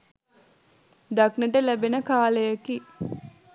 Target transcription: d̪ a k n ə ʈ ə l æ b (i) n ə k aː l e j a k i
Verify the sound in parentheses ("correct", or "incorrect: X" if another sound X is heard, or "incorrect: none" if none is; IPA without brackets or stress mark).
incorrect: e